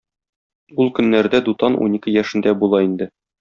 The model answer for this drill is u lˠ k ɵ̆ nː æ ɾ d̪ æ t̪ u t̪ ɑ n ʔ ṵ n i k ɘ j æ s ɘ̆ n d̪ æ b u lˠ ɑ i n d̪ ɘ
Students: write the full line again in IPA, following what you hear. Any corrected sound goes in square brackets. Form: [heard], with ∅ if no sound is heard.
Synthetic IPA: u lˠ k ɵ̆ nː æ ɾ d̪ æ [d̪] u t̪ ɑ n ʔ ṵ n i k ɘ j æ [ʃ] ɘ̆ n d̪ æ b u lˠ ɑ i n d̪ ɘ